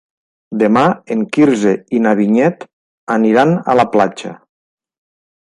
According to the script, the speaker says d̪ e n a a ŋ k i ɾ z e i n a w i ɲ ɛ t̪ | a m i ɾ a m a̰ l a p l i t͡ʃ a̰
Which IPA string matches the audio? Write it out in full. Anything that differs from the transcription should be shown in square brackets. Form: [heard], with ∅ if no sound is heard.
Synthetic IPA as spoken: d̪ e [m] a [e] ŋ k i ɾ z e i n a [β] i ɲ ɛ t̪ | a [n] i ɾ a [n] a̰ l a p l [a] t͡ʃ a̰